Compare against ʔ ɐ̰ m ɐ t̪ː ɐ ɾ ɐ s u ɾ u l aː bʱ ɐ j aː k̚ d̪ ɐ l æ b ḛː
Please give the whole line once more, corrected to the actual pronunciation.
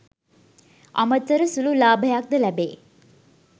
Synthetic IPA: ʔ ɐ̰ m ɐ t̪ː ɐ ɾ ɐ s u l u l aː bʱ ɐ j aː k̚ d̪ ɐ l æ b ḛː